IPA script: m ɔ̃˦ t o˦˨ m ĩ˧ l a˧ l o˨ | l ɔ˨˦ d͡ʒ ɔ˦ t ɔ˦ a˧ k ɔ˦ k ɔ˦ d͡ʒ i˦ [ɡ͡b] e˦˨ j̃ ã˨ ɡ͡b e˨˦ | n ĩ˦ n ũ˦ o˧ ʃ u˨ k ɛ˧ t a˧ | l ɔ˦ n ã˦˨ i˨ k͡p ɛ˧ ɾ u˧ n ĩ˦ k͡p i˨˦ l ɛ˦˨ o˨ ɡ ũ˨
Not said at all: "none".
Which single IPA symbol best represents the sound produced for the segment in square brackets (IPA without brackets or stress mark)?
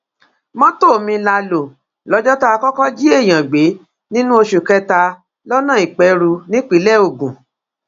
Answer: none